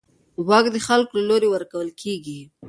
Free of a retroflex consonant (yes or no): yes